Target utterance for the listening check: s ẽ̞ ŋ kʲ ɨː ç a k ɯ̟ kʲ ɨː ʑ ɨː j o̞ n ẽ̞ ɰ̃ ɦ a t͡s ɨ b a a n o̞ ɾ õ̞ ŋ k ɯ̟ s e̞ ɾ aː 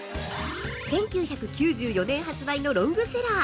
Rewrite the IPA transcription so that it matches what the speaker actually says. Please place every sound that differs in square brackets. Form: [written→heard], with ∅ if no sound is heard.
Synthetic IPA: s ẽ̞ ŋ kʲ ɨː ç a k ɯ̟ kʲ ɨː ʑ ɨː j o̞ n ẽ̞ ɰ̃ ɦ a t͡s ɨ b a [a→i] n o̞ ɾ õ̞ ŋ [k→ɡ] ɯ̟ s e̞ ɾ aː